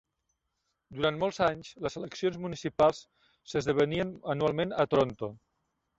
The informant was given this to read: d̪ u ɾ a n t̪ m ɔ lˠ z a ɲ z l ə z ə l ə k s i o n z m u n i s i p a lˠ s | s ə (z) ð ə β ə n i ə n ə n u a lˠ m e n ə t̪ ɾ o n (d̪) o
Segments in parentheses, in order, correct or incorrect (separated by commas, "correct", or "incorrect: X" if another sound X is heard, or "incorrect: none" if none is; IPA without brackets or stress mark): correct, incorrect: t̪